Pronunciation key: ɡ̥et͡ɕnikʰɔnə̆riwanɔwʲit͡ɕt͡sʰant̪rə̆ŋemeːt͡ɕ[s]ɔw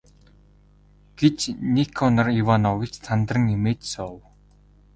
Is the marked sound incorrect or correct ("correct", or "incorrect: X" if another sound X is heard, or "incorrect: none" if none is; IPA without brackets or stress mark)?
correct